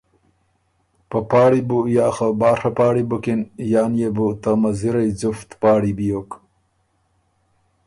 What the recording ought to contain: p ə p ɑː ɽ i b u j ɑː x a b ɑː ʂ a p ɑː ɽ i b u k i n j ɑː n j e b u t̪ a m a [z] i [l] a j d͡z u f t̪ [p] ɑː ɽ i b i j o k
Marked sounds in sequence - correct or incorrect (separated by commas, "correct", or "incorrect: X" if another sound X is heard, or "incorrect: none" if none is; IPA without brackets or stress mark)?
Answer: correct, incorrect: ɾ, correct